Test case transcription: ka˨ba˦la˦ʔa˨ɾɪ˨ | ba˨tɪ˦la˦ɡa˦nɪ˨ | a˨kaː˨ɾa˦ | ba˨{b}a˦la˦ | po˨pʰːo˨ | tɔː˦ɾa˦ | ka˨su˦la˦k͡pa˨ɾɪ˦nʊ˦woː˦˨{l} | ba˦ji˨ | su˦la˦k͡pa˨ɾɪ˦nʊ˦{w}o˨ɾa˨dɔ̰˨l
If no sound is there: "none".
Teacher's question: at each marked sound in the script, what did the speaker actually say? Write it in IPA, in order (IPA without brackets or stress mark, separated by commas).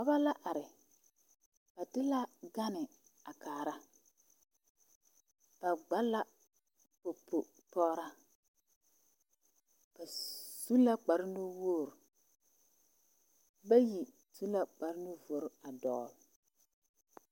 ɡ͡b, ɾ, v